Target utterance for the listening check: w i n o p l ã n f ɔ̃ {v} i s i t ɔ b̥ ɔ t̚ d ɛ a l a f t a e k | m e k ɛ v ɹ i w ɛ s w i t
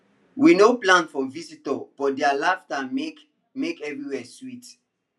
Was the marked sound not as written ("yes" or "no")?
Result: no